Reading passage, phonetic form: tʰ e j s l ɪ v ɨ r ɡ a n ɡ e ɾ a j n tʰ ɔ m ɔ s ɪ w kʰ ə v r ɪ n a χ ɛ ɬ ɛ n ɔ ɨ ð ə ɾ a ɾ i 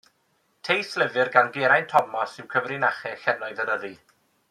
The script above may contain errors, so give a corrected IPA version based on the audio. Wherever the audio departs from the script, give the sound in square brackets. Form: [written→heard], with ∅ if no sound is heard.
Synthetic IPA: tʰ e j s l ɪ v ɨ r ɡ a n ɡ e ɾ a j n tʰ ɔ m ɔ s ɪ w kʰ ə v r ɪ n a χ ɛ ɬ ɛ n ɔ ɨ ð ə ɾ [a→ə] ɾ i

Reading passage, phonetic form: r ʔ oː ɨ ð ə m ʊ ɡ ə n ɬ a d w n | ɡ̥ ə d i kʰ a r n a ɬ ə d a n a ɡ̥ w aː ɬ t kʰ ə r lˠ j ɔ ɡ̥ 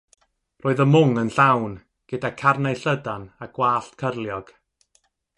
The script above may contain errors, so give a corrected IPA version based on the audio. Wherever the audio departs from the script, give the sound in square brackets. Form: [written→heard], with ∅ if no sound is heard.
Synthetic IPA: r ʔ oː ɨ ð ə m ʊ [ɡ→ŋ] ə n ɬ a [d→∅] w n | ɡ̥ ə d [i→a] kʰ a r n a ɬ ə d a n a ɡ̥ w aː ɬ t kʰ ə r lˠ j ɔ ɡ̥

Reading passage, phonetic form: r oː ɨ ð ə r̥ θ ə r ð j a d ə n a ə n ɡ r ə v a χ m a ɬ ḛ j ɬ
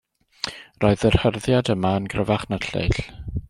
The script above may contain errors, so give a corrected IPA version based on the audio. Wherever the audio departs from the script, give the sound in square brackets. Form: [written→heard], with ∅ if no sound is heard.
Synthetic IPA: r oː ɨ ð ə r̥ [θ→h] ə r ð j a d ə [n→m] a ə n ɡ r ə v a χ [m→n] a ɬ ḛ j ɬ

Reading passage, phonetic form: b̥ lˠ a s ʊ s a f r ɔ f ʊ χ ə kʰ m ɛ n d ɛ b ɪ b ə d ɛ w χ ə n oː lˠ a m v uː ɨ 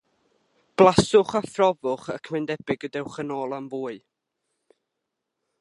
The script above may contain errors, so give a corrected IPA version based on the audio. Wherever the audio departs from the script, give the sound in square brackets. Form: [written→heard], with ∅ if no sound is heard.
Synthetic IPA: b̥ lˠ a s ʊ [s→χ] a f r ɔ [f→v] ʊ χ ə kʰ m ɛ n d ɛ b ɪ [b→ɡ] ə d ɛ w χ ə n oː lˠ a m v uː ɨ

